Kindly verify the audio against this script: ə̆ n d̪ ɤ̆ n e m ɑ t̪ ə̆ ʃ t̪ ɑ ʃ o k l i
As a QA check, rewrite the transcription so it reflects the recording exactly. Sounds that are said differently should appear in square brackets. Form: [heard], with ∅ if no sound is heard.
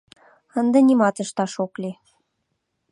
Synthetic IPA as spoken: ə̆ n d̪ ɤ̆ n [i] m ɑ t̪ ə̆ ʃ t̪ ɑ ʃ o k l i